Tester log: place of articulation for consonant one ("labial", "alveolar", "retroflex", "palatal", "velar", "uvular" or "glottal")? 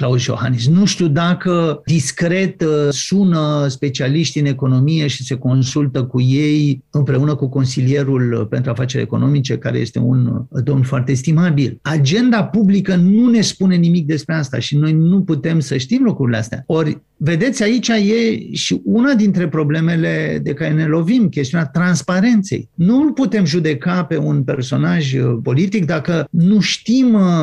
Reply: velar